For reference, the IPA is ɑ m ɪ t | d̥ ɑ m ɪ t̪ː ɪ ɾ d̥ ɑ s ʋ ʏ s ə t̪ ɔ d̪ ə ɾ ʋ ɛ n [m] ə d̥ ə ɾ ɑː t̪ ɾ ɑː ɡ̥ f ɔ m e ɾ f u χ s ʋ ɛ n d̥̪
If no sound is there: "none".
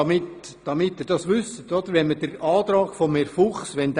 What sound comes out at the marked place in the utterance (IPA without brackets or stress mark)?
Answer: m